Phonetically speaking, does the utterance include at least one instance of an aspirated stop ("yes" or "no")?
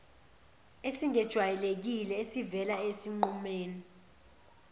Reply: no